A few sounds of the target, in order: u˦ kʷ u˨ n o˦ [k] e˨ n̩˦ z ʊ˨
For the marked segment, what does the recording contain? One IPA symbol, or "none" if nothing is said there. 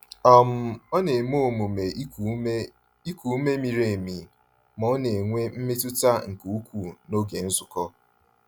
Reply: ɡ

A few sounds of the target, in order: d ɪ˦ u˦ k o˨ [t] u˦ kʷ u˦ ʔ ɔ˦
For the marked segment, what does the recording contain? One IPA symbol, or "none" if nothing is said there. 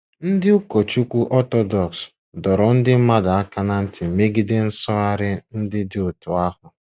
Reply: t͡ʃ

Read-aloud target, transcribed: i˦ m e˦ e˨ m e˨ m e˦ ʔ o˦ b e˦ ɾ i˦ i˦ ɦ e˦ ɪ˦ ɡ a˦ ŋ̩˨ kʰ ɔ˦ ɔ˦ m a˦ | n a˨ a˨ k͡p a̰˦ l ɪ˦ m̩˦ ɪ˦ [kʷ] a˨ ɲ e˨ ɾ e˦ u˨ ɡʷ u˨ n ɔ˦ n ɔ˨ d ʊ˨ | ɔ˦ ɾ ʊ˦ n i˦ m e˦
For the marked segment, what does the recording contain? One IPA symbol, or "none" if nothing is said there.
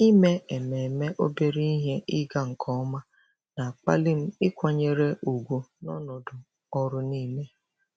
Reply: kʷ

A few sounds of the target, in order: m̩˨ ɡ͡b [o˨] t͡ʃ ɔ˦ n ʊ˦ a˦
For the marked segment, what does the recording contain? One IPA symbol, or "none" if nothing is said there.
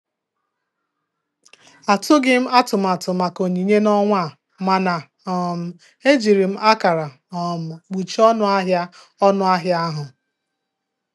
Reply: u˨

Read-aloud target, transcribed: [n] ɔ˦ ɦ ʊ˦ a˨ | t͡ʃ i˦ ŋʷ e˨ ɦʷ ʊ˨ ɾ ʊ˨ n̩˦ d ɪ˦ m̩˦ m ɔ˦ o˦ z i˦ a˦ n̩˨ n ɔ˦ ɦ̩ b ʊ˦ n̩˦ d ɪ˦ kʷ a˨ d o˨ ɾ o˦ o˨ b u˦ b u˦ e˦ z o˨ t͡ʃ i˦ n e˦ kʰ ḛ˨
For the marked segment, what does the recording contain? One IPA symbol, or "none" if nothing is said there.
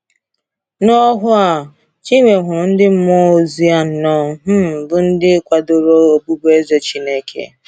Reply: n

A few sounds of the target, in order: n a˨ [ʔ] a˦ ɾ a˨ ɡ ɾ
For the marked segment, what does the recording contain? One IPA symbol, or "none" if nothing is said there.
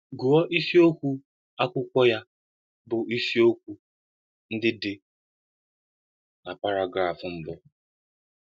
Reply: p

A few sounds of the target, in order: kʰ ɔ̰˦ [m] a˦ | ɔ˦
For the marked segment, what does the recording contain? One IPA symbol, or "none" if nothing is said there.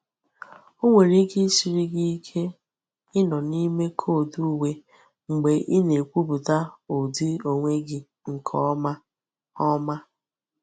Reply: m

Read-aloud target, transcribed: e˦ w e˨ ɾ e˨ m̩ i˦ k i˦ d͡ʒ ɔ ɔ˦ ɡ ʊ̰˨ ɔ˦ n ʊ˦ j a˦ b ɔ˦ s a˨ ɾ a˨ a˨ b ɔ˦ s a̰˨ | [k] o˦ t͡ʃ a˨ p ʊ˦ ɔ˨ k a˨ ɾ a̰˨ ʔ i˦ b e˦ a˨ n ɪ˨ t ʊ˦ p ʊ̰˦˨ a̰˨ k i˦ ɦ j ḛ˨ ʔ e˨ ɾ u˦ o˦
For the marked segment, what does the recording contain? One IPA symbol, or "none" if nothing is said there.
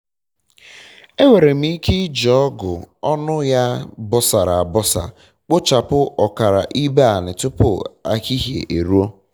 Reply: k͡p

